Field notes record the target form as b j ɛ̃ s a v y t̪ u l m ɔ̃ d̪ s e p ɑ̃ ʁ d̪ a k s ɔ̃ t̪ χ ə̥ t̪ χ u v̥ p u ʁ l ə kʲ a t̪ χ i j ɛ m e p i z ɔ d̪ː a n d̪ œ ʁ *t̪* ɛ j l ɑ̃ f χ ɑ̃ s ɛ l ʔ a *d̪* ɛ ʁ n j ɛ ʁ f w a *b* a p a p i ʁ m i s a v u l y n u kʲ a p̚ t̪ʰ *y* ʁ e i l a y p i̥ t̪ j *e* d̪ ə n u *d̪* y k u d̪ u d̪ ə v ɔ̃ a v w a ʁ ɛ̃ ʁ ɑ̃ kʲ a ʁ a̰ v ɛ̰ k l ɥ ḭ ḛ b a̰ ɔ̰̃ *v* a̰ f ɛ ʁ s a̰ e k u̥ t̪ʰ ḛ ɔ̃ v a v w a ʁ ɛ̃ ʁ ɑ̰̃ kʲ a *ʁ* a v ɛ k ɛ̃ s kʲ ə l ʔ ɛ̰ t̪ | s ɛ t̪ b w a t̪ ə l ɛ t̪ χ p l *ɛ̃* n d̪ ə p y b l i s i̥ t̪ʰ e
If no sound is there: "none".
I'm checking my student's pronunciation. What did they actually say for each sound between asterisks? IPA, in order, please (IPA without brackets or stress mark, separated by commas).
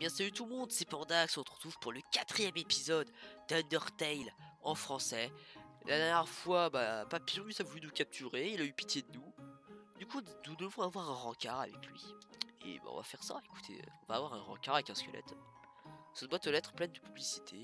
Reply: t̪, d̪, b, y, e, d̪, v, ʁ, ɛ